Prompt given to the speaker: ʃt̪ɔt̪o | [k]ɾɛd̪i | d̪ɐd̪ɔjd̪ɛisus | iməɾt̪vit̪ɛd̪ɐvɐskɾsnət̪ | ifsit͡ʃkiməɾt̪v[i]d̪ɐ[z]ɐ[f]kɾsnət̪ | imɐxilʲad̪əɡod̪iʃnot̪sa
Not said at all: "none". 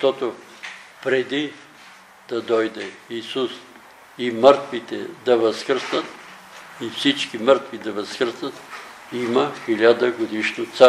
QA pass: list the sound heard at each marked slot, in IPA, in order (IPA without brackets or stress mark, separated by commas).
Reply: p, i, v, s